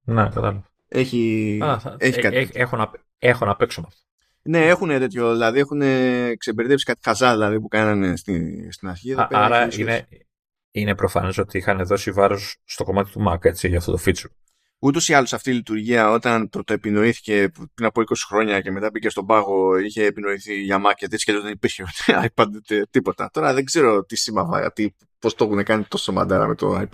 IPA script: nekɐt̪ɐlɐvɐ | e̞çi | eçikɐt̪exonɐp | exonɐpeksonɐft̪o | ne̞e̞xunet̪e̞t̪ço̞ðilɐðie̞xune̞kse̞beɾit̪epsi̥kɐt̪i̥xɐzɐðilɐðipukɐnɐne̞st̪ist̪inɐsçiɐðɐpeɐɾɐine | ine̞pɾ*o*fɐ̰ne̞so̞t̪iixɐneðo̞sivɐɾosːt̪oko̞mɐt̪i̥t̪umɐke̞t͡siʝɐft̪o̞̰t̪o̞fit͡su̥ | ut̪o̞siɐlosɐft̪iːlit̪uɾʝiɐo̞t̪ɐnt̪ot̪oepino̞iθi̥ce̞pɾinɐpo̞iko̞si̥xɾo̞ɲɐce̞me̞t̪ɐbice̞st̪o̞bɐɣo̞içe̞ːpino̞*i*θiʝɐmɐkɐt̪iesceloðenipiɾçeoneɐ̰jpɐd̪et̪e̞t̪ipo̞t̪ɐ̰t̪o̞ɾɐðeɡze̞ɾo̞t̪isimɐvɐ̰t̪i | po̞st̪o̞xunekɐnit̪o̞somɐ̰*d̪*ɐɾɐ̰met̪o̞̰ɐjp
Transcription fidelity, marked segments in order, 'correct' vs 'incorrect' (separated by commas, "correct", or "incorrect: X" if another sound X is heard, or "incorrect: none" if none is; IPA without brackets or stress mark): correct, correct, correct